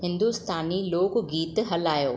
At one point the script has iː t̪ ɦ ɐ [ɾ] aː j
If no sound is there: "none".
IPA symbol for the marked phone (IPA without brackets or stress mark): l